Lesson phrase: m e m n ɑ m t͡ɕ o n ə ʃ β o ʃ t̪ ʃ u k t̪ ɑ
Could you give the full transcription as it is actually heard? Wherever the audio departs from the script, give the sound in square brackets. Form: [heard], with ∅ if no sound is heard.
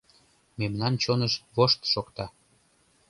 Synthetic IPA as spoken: m e m n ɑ [n] t͡ɕ o n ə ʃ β o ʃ t̪ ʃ [o] k t̪ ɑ